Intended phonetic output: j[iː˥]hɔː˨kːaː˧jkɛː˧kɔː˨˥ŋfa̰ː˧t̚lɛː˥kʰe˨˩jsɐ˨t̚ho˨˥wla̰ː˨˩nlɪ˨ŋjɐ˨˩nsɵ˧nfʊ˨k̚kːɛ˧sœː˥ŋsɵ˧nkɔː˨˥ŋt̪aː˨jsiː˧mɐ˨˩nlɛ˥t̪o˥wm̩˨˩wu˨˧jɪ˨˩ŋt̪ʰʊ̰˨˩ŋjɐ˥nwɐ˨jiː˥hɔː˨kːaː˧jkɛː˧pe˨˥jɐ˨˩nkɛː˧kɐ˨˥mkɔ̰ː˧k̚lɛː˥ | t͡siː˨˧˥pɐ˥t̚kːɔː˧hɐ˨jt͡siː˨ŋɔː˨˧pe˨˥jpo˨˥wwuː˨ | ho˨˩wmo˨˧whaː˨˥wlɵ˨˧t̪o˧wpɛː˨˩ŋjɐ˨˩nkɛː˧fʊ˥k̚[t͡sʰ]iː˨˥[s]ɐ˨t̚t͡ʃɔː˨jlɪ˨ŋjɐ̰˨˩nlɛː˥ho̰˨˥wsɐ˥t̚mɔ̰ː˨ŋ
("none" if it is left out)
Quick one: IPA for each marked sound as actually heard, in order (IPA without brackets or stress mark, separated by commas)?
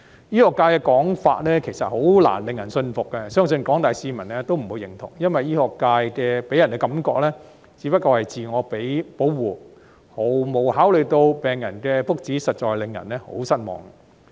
iː˥, t͡s, s